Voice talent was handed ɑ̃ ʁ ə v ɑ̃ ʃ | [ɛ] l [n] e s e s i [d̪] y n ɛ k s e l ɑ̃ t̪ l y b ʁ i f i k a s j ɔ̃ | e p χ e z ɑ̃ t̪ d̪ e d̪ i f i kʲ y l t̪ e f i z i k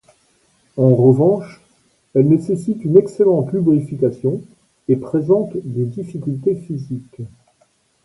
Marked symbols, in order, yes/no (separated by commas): yes, yes, no